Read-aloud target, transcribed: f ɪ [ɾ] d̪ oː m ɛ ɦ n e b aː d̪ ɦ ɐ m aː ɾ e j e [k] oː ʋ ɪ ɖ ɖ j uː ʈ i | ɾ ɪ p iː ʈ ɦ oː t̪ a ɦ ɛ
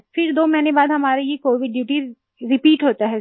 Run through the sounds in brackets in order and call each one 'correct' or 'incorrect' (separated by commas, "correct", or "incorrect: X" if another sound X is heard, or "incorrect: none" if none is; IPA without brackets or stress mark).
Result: correct, correct